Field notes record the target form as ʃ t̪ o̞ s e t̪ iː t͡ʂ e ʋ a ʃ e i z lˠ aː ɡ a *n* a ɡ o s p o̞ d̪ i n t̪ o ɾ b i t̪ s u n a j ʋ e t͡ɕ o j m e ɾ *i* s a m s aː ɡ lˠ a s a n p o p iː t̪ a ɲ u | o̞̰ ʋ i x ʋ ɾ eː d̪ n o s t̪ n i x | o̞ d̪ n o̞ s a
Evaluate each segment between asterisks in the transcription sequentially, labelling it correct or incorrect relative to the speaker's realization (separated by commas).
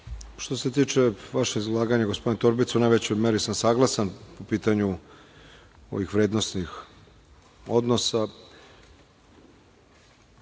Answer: incorrect, correct